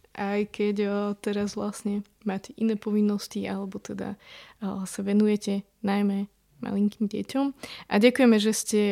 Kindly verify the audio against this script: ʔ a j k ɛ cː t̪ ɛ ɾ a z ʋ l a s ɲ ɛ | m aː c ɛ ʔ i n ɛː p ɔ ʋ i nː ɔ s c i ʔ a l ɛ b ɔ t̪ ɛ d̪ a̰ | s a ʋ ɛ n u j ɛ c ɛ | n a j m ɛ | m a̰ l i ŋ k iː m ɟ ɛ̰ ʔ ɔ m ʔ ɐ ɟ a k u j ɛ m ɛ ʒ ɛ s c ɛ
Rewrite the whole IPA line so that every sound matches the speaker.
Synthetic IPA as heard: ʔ a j k ɛ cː t̪ ɛ ɾ a z ʋ l a s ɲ ɛ | m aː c ɛ ʔ i n ɛː p ɔ ʋ i nː ɔ s c i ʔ a l ɛ b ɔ t̪ ɛ d̪ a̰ | s a ʋ ɛ n u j ɛ c ɛ | n a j m ɛ | m a̰ l i ŋ k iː m ɟ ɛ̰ c ɔ m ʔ a ɟ a k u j ɛ m ɛ ʒ ɛ s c ɛ